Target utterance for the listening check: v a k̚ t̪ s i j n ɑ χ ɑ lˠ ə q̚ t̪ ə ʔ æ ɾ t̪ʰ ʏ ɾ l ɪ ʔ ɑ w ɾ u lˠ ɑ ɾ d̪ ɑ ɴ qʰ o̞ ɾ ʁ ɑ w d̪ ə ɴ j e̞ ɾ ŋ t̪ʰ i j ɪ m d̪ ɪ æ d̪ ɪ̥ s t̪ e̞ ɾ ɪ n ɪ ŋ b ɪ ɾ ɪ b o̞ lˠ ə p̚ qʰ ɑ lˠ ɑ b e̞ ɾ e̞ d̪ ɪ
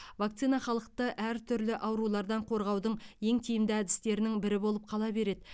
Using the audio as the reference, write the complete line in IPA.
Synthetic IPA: v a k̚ t̪ s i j n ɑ χ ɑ lˠ ə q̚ t̪ ə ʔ æ ɾ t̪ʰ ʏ ɾ l ɪ ʔ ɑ w ɾ u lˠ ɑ ɾ d̪ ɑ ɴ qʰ o̞ ɾ ʁ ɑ w d̪ ə ɴ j e̞ ŋ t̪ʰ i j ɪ m d̪ ɪ æ d̪ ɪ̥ s t̪ e̞ ɾ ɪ n ɪ ŋ b ɪ ɾ ɪ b o̞ lˠ ə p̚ qʰ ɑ lˠ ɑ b e̞ ɾ e̞ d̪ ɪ